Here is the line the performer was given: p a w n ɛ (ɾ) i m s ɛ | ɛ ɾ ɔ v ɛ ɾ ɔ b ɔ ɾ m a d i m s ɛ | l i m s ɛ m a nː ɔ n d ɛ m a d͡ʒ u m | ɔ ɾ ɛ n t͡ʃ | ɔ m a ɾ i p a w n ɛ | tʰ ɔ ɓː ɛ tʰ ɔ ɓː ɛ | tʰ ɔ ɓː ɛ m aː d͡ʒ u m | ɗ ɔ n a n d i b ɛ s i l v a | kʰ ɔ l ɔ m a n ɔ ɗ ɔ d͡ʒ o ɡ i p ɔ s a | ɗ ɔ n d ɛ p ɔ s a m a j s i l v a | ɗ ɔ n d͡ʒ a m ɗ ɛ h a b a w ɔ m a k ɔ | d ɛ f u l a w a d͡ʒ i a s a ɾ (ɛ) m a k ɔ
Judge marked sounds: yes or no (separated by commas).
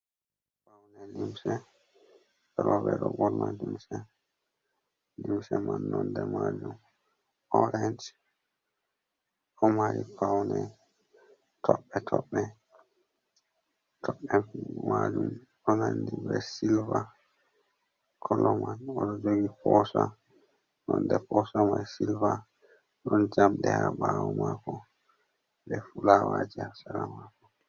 no, no